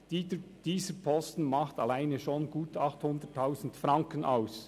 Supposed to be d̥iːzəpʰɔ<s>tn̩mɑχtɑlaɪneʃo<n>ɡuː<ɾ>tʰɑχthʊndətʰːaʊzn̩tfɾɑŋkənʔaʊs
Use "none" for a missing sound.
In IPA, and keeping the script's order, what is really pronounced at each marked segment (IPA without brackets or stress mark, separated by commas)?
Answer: s, n, none